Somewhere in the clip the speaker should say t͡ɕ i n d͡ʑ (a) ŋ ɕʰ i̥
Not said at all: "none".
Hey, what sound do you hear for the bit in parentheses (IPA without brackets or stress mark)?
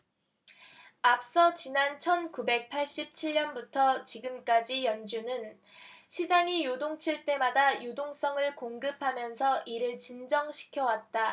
ʌ